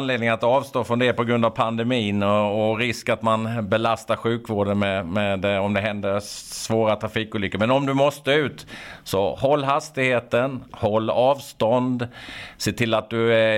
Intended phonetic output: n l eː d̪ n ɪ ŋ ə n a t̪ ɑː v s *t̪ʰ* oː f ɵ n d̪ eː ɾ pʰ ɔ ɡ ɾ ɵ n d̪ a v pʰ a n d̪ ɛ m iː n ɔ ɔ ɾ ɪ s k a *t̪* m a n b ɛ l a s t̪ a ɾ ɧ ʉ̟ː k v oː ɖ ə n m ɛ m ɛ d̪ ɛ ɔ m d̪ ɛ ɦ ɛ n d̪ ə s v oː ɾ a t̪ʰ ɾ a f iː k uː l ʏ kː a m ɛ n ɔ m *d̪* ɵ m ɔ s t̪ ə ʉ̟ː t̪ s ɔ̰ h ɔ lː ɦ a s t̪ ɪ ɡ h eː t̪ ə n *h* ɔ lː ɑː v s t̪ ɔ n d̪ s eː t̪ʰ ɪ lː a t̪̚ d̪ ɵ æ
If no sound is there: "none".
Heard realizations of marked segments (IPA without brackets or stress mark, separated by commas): t̪, t̪, d̪, h